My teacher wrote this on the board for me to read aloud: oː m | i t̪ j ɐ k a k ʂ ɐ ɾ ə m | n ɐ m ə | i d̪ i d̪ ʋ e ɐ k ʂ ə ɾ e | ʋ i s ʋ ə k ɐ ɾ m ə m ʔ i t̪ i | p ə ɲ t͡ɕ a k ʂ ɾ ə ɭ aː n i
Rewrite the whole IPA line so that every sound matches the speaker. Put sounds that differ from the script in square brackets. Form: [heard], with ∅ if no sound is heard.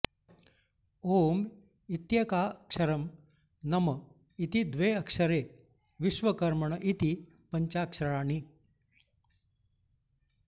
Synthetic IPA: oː m | i t̪ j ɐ k a k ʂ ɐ ɾ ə m | n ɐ m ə | i [t̪] i d̪ ʋ e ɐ k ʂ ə ɾ e | ʋ i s ʋ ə k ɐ ɾ m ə [ɳ] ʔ i t̪ i | p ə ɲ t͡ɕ a k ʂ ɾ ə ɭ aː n i